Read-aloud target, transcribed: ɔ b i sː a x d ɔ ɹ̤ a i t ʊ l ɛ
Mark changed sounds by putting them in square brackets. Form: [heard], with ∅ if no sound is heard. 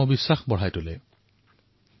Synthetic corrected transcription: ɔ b i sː a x [b] ɔ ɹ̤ a [j] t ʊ l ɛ